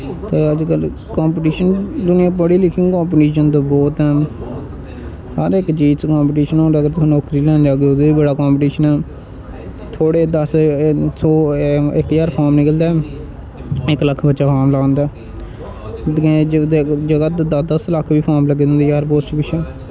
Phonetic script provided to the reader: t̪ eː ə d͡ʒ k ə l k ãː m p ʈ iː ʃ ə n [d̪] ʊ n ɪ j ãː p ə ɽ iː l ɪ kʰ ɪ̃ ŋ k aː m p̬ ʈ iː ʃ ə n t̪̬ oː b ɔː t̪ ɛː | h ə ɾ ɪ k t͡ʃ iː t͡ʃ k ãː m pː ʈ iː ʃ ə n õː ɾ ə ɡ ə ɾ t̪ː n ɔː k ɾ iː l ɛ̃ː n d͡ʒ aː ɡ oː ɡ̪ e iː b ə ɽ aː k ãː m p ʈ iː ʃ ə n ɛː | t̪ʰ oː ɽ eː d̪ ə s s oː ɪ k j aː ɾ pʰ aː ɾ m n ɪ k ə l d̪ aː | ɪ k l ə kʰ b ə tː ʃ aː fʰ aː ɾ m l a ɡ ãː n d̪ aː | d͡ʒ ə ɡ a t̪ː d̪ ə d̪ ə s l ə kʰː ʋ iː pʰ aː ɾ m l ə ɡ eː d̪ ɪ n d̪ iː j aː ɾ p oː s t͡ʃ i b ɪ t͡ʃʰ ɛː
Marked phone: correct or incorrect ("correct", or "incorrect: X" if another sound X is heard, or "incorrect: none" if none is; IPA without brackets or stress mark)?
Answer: correct